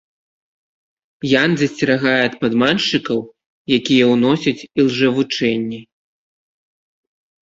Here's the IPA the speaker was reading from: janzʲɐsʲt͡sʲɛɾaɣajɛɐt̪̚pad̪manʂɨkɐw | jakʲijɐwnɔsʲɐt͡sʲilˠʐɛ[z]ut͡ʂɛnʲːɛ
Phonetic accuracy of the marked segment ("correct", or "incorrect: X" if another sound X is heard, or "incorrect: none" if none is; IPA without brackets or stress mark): incorrect: v